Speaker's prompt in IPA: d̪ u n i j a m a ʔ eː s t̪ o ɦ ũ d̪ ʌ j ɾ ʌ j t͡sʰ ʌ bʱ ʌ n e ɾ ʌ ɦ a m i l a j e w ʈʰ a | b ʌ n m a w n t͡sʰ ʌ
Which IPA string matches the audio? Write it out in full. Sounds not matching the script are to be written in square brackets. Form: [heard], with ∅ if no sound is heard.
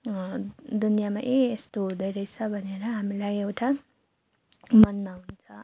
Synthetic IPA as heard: d̪ u n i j a m a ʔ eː s t̪ o ɦ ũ d̪ ʌ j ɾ ʌ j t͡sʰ ʌ bʱ ʌ n e ɾ ʌ ɦ a m i l a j e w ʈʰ a | [m] ʌ n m a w n t͡sʰ ʌ